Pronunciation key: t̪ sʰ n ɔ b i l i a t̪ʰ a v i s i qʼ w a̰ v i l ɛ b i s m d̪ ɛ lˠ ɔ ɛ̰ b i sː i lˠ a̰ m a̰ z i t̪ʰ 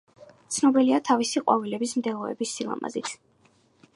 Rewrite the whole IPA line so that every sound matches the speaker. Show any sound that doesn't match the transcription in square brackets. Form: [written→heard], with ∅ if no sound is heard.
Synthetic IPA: t̪ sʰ n ɔ b i l i a t̪ʰ a v i s i qʼ w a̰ v i l ɛ b i s m d̪ ɛ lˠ ɔ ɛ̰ b i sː i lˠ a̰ m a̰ z i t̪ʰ